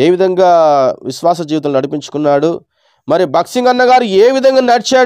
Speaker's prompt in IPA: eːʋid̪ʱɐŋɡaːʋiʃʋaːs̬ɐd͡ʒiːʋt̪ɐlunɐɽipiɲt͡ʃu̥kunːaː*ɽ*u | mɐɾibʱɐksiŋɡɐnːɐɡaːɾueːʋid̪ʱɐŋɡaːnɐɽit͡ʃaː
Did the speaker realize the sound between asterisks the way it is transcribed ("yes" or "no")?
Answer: yes